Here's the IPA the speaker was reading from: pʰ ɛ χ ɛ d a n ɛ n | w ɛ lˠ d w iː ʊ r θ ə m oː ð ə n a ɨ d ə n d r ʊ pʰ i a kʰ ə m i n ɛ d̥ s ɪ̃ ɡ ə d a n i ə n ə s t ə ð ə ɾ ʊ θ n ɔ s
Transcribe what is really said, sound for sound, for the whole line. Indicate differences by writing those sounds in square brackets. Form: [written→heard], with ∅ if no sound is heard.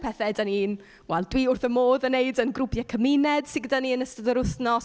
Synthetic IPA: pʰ ɛ [χ→θ] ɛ d a n [ɛ→i] n | w ɛ lˠ d w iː ʊ r θ ə m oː ð ə n [a→e] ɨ d ə n [d→ɡ] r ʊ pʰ [i→j] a kʰ ə m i n ɛ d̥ s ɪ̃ ɡ ə d a n i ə n ə s t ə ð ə ɾ ʊ θ n ɔ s